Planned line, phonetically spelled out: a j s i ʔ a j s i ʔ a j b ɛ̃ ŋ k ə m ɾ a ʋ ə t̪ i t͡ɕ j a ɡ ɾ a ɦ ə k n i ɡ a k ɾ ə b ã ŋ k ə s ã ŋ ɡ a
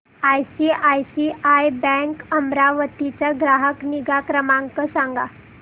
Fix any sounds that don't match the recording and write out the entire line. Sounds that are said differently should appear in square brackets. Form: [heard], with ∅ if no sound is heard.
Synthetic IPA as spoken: a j s i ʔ a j s i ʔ a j b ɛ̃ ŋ k ə m ɾ a ʋ ə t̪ i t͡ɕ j a ɡ ɾ a ɦ ə k n i ɡ a k ɾ ə [m] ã ŋ k ə s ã ŋ ɡ a